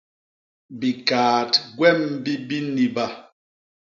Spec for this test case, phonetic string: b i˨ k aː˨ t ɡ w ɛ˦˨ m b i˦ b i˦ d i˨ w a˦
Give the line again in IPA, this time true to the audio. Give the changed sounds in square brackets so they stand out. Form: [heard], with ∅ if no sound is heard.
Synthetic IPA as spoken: b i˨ k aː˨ t ɡ w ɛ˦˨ m b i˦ b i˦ [n] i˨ [b] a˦

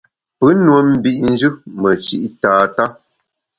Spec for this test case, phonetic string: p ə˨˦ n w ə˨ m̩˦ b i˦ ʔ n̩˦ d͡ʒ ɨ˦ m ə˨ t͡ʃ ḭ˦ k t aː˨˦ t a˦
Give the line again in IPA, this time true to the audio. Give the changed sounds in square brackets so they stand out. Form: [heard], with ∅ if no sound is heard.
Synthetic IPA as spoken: p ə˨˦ n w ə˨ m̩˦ b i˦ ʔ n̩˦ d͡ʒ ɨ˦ m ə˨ t͡ʃ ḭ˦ [ʔ] t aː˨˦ t a˦

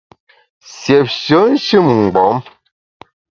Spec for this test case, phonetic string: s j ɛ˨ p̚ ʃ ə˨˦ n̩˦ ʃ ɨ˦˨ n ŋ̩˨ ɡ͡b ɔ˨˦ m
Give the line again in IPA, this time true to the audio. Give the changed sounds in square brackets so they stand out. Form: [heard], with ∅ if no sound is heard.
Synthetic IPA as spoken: s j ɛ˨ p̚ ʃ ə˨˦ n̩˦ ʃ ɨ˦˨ [m] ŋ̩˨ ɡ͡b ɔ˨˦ m

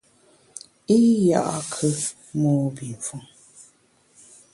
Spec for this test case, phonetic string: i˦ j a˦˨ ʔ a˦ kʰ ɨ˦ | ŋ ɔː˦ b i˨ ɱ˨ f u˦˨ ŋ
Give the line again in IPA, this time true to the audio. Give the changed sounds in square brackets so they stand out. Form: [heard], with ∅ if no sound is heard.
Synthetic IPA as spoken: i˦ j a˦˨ ʔ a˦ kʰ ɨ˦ | [m] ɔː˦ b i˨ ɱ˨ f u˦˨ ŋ

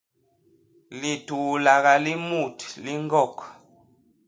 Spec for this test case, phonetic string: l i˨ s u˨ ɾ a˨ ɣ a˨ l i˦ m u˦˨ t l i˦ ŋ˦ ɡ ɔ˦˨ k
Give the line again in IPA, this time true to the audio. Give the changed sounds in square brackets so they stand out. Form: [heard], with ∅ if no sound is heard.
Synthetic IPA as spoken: l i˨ [t] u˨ [l] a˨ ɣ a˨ l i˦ m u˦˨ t l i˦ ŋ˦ ɡ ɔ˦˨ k

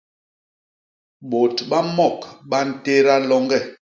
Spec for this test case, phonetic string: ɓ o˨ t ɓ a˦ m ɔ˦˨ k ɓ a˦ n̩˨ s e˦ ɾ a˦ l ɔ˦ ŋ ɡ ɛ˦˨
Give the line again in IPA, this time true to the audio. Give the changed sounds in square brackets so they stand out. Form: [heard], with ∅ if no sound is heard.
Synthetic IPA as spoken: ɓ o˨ t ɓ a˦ m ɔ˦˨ k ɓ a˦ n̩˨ [t] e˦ ɾ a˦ l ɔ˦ ŋ ɡ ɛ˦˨

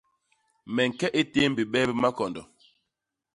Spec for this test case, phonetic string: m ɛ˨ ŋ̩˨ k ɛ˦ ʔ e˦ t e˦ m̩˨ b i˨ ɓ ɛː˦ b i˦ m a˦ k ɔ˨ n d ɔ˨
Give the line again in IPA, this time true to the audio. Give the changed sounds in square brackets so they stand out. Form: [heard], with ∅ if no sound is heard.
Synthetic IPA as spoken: m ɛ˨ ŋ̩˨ k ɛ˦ ʔ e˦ t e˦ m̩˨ b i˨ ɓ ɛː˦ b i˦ m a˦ k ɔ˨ n d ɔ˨

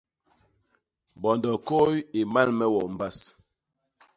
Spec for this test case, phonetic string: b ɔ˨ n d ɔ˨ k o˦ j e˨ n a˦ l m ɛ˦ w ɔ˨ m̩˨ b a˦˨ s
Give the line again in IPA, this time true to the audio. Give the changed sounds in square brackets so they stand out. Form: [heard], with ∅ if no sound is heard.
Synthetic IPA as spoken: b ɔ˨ n d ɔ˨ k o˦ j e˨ [m] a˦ l m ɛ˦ w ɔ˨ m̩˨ b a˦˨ s

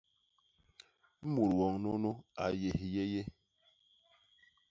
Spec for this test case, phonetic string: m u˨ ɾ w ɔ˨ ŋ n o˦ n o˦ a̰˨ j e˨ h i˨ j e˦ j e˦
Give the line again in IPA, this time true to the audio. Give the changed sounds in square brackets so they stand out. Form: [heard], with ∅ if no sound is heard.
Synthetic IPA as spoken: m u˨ ɾ w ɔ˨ ŋ n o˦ n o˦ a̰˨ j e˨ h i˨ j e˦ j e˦

